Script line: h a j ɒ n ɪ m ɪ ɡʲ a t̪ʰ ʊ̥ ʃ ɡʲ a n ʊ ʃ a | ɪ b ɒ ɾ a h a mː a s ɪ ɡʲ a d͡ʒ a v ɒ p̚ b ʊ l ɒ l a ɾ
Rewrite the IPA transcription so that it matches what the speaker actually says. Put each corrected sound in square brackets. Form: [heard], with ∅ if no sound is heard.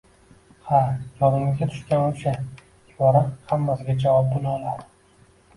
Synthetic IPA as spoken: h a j ɒ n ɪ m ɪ ɡʲ a t̪ʰ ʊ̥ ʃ [kʲ] a n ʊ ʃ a | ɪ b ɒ ɾ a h a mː a s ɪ ɡʲ a d͡ʒ a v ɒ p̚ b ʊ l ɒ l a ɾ